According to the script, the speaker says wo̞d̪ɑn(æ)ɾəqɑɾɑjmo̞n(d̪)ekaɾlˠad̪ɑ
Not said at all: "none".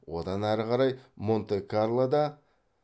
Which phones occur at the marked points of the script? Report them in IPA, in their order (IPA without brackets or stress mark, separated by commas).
æ, t̪